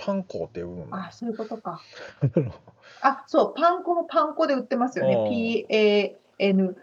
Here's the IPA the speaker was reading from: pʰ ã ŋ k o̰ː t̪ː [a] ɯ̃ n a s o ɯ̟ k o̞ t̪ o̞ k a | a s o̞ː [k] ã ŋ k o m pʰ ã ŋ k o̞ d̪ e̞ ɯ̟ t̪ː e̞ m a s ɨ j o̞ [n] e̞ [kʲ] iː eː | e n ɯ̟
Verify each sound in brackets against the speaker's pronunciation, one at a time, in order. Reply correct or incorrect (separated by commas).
incorrect, incorrect, correct, incorrect